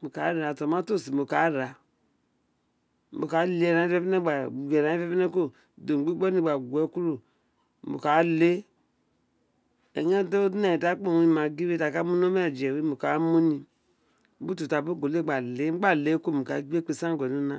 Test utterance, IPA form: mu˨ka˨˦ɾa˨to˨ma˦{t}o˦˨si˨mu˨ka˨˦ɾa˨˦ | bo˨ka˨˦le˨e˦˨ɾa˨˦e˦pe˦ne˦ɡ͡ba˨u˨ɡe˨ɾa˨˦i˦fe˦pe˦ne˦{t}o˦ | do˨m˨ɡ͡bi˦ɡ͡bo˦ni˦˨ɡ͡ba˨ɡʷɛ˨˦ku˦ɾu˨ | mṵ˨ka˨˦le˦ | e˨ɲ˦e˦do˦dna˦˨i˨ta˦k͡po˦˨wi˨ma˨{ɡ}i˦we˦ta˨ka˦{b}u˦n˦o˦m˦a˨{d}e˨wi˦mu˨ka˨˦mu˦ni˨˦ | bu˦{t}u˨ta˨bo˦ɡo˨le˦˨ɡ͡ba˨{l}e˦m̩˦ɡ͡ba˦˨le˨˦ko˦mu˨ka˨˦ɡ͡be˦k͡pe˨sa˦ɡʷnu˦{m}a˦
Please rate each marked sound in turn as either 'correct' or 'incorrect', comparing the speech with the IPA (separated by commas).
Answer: correct, incorrect, correct, incorrect, incorrect, correct, correct, incorrect